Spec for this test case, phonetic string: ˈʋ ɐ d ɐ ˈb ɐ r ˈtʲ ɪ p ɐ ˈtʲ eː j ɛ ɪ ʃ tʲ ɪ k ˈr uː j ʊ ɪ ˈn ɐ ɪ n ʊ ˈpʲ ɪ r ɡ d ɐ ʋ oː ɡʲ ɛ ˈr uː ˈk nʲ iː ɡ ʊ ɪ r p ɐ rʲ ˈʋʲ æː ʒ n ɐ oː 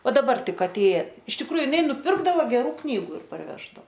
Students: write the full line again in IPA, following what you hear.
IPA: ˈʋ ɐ d ɐ ˈb ɐ r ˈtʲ ɪ k ɐ ˈtʲ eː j ɛ ɪ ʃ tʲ ɪ k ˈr uː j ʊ ɪ ˈn ɐ ɪ n ʊ ˈpʲ ɪ r ɡ d ɐ ʋ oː ɡʲ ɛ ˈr uː ˈk nʲ iː ɡ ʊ ɪ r p ɐ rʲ ˈʋʲ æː ʒ d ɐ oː